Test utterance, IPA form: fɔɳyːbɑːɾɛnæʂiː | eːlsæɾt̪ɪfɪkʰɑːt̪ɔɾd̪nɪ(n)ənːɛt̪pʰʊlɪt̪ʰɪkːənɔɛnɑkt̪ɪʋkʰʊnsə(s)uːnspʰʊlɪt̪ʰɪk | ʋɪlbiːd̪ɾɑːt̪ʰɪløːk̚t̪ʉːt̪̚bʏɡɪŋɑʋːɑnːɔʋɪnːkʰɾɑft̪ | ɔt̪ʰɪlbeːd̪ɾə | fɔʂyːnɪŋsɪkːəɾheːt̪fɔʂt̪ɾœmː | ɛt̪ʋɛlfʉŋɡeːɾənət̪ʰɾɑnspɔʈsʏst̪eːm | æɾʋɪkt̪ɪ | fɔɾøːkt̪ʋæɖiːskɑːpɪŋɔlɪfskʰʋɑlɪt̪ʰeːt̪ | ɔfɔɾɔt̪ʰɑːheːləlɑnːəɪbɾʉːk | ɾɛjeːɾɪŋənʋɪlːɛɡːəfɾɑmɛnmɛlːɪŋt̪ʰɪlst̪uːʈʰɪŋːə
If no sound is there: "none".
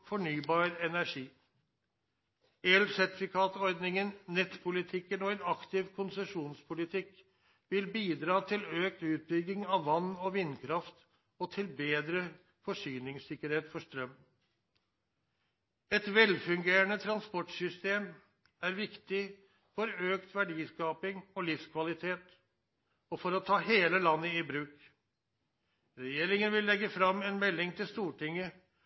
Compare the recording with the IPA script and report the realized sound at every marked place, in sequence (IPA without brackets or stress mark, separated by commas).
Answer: ŋ, ʂ